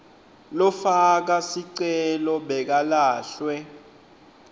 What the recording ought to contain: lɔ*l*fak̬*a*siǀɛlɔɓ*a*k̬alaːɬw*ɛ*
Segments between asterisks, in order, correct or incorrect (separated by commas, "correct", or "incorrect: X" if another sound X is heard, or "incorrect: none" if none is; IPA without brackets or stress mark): incorrect: none, correct, incorrect: ɛ, correct